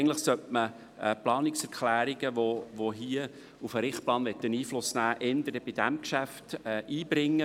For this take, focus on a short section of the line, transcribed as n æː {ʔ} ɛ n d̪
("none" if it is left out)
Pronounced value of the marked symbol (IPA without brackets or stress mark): ʔ